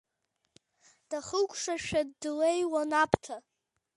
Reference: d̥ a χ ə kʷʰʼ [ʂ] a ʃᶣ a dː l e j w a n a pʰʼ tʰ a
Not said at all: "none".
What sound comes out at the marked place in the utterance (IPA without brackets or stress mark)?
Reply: ʂ